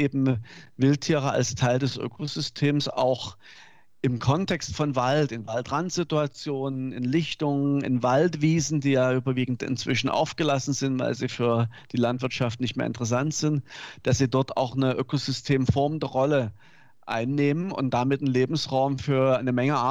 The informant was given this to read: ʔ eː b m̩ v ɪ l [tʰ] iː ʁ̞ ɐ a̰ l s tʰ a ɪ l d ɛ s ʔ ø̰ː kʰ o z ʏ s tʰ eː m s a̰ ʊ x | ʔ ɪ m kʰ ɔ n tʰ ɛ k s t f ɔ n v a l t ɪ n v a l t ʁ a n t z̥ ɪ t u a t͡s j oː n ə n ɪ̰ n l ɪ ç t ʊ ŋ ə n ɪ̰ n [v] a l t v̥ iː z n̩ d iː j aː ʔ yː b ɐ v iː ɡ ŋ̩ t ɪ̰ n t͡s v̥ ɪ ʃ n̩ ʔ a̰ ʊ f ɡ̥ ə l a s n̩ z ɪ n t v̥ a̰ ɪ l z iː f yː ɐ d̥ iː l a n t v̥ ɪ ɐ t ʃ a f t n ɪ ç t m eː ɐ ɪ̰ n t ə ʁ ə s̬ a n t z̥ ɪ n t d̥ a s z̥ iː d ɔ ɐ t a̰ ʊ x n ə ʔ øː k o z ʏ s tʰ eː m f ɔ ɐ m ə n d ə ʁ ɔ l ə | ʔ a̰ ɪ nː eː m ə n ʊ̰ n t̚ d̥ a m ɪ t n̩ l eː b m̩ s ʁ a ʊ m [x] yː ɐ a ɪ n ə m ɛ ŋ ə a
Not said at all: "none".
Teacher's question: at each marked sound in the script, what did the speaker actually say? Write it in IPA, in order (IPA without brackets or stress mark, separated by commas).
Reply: tʰ, v, f